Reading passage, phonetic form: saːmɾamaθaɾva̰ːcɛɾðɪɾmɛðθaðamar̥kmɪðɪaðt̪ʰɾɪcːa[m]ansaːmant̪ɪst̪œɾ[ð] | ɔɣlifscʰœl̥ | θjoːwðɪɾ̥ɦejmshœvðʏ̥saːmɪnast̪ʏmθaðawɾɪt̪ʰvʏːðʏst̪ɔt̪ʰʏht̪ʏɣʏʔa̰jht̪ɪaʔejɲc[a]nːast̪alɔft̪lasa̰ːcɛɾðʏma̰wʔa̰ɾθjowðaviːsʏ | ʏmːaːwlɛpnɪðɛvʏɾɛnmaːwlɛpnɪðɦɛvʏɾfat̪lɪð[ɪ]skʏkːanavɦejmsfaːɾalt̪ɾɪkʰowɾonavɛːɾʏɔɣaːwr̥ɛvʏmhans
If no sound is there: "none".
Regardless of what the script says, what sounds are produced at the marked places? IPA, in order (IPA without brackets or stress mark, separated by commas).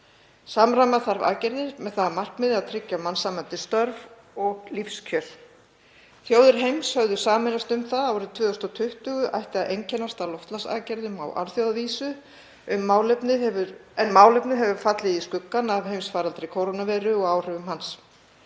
m, v, ɛ, i